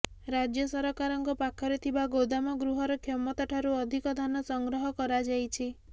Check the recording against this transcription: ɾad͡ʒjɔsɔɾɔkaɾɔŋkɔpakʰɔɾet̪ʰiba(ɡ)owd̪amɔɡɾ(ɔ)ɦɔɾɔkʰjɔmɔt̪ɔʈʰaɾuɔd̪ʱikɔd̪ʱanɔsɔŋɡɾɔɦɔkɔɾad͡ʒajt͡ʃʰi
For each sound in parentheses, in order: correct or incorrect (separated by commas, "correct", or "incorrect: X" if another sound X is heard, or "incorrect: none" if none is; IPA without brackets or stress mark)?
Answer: correct, incorrect: u